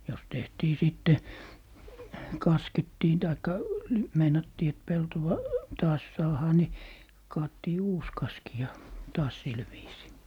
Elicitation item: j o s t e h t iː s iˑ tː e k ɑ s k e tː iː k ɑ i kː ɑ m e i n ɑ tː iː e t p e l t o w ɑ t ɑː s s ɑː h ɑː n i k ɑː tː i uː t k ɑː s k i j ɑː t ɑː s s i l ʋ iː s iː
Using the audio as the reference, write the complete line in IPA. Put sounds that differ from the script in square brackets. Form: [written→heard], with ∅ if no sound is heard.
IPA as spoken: j o s t e h t iː s iˑ tː e k ɑ s k e tː iː [k→t] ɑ i kː ɑ m e i n ɑ tː iː e t p e l t o w ɑ t ɑː s s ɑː h ɑː n i k ɑː tː [i→iː] uː [t→s] k [ɑː→ɑ] s k i j [ɑː→ɑ] t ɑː s s i l ʋ iː s iː